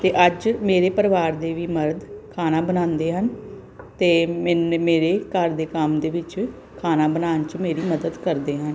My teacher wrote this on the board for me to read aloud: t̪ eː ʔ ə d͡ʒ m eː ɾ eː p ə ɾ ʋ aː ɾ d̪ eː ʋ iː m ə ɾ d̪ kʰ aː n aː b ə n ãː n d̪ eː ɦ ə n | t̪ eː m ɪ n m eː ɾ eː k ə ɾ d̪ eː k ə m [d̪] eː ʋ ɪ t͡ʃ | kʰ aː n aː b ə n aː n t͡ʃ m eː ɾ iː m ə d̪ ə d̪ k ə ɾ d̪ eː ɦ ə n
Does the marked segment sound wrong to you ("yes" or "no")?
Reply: no